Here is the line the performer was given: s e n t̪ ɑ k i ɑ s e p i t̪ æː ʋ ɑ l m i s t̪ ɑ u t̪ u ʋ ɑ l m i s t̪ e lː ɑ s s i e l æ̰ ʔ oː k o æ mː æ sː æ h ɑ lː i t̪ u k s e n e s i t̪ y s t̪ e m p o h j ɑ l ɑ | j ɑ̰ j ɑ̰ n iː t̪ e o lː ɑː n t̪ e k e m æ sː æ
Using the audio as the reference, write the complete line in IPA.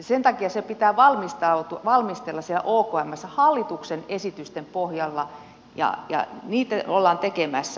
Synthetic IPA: s e n t̪ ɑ k i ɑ s e p i t̪ æː ʋ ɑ l m i s t̪ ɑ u t̪ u ʋ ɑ l m i s t̪ e lː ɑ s s i e l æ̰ ʔ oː k o æ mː æ sː æ h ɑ lː i t̪ u k s e n e s i t̪ y s t̪ e m p o h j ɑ lː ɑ | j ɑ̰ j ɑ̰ n iː t̪ æ o lː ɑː n t̪ e k e m æ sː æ